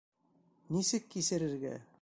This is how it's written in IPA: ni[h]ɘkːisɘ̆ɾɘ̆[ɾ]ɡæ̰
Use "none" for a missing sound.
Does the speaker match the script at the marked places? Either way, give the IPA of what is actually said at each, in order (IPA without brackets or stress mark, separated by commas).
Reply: s, ɾ